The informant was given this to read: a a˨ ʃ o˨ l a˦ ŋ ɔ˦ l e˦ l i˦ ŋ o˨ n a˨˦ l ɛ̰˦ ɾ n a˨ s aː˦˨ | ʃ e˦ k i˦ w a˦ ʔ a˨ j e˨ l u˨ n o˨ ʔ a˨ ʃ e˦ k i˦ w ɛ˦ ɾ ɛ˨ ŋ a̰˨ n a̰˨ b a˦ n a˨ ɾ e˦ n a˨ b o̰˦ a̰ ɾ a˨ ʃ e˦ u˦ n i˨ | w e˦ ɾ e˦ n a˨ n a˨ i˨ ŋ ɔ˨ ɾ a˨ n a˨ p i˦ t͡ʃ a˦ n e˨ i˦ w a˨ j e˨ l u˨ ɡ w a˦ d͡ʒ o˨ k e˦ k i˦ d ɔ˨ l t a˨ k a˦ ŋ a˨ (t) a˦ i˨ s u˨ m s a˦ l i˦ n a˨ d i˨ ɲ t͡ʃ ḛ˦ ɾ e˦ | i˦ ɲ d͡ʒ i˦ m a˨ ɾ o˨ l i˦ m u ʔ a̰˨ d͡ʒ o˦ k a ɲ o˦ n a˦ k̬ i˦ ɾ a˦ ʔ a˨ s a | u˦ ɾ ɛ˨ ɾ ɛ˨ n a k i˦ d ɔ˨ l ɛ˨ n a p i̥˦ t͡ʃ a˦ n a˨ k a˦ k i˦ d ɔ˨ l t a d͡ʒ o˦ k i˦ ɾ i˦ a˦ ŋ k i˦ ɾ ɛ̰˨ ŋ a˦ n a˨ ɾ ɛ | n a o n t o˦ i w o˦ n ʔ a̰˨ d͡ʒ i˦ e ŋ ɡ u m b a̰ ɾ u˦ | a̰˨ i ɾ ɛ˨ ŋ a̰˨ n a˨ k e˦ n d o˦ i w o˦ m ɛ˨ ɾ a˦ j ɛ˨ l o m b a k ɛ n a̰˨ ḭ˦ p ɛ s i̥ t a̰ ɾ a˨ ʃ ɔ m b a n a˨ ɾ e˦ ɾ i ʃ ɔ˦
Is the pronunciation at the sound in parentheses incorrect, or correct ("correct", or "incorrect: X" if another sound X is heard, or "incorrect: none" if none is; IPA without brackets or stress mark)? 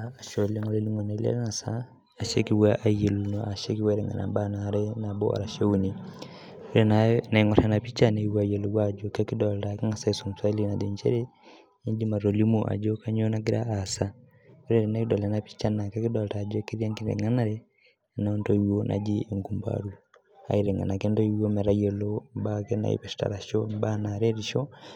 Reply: incorrect: s